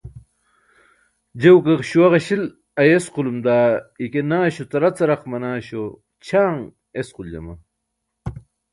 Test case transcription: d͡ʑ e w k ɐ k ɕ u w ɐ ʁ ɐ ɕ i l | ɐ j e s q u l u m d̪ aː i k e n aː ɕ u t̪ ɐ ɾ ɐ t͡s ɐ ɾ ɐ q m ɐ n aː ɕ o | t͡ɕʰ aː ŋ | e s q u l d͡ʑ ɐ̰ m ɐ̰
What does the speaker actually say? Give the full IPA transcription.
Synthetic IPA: d͡ʑ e w k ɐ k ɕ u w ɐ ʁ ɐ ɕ i l | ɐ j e s q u l u m d̪ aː i k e n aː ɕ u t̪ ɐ ɾ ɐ t͡s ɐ ɾ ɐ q m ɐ n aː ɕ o | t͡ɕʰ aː ŋ | e s q u l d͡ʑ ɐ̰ m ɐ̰